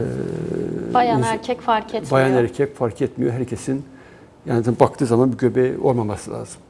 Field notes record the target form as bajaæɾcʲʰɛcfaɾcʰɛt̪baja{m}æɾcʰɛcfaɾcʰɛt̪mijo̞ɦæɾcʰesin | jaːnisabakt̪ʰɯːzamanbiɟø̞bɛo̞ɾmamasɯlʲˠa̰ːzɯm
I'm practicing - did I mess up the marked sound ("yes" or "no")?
yes